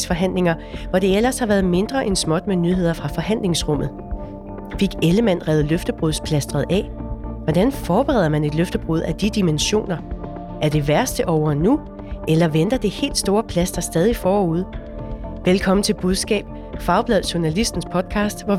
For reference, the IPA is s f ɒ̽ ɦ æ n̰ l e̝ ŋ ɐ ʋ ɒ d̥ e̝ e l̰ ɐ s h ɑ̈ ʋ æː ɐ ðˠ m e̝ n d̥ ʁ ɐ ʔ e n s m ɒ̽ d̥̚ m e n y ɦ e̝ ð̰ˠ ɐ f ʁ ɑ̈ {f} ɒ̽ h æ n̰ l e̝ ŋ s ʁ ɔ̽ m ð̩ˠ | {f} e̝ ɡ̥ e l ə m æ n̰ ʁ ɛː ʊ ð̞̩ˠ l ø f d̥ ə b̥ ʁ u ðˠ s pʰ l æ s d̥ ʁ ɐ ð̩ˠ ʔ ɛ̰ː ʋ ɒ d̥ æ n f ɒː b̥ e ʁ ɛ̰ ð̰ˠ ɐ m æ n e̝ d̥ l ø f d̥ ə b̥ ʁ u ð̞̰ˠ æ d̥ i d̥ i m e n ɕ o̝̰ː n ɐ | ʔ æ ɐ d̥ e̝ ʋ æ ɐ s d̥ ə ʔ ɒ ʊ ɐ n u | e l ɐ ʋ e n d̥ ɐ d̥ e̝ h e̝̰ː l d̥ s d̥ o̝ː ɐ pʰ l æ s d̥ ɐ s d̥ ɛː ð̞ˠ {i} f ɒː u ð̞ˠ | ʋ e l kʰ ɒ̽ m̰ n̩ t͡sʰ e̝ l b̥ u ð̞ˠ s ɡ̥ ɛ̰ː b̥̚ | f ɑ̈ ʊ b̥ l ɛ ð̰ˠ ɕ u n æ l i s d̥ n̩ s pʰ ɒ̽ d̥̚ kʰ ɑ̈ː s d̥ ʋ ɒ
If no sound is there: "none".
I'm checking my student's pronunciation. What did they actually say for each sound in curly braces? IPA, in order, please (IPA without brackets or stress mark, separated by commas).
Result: f, f, i